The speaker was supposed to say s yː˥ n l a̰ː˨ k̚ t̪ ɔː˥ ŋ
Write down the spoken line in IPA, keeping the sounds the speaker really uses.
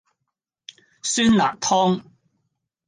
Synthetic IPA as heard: s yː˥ n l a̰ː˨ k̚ t̪ʰ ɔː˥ ŋ